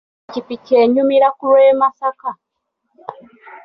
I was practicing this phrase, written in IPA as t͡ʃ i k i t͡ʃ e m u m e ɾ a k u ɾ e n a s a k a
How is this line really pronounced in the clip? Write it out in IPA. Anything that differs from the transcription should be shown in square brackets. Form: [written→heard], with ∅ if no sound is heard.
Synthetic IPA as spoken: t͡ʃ i [k→p] i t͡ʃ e [m→ɲ] u m [e→i] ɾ a k u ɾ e [n→m] a s a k a